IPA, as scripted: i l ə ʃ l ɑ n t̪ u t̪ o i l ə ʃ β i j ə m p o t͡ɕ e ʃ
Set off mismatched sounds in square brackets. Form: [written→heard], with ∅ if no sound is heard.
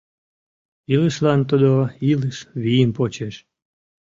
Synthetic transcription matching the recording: i l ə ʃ l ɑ n t̪ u [t̪→d̪] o i l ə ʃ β i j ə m p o t͡ɕ e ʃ